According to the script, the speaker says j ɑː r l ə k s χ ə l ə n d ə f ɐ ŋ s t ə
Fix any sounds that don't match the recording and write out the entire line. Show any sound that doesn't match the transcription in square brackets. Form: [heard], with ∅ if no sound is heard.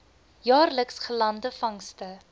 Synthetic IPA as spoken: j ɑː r l ə k s χ ə l [ɐ] n d ə f ɐ ŋ s t ə

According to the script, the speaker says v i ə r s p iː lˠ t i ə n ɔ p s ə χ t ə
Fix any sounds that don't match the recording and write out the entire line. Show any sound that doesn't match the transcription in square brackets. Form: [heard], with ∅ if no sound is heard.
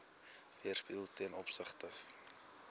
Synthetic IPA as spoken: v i ə r s p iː lˠ t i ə n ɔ p s ə χ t ə

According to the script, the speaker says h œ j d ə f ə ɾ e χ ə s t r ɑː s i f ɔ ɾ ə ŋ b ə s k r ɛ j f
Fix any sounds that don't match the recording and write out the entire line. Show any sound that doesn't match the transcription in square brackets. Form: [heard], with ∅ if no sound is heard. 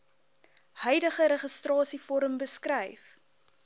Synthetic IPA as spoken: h œ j d ə [χ] ə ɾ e χ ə s t r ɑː s i f ɔ ɾ ə [m] b ə s k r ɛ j f

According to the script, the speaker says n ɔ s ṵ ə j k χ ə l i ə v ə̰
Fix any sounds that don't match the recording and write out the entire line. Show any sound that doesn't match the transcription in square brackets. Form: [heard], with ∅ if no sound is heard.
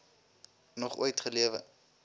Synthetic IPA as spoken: n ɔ [χ] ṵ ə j [t] χ ə l i ə v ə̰

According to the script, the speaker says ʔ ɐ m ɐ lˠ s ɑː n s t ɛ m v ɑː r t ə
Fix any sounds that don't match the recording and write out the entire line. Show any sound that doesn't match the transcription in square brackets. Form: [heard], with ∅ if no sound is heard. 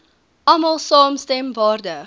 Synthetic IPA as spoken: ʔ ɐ m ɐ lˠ s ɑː [m] s t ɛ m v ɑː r [d] ə

